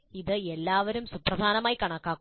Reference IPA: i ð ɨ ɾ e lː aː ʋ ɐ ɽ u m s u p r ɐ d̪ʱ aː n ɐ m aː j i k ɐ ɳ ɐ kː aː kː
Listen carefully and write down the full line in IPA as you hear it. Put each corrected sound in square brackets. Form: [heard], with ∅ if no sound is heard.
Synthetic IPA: i ð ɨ [∅] e lː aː ʋ ɐ [ɾ] u m s u p r ɐ d̪ʱ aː n ɐ m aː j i k ɐ ɳ ɐ kː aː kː